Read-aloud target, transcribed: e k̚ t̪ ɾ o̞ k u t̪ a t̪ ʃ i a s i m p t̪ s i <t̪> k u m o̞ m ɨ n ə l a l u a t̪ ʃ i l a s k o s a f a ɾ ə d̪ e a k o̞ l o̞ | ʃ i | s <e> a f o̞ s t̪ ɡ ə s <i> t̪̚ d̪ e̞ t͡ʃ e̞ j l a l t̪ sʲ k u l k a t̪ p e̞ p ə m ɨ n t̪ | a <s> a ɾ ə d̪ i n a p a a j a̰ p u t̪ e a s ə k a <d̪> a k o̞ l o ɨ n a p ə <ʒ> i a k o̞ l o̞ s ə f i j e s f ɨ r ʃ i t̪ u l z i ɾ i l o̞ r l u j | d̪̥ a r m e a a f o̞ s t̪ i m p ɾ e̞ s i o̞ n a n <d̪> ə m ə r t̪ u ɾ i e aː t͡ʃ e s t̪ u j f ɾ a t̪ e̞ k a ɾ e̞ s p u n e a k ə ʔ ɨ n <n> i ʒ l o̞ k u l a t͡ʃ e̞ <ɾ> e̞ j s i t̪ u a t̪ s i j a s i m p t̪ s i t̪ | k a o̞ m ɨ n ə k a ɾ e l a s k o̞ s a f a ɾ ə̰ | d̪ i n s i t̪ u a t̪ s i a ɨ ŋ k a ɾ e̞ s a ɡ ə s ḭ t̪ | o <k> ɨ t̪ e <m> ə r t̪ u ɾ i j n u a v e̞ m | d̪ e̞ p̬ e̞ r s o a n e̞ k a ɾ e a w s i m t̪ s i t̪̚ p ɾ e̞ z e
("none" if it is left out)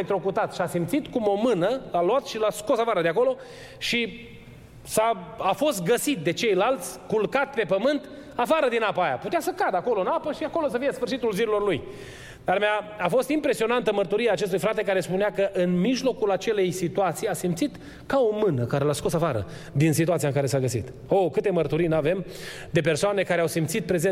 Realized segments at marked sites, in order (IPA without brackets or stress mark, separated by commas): t̪, a, i, f, d̪, ʃ, t̪, m, l, k, m